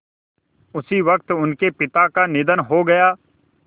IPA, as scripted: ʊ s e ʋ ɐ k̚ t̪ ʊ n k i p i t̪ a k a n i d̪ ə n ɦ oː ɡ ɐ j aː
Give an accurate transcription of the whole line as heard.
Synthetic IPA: ʊ s i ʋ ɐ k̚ t̪ ʊ n k e p ɪ t̪ a k a n ɪ d̪ ə n ɦ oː ɡ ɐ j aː